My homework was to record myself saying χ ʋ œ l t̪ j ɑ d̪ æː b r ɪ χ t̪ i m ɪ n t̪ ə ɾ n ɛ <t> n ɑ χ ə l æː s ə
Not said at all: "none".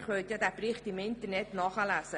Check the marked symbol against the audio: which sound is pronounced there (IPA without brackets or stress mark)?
t